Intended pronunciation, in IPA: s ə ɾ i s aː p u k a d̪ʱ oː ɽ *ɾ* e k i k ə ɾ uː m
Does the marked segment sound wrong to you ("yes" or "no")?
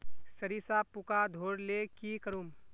yes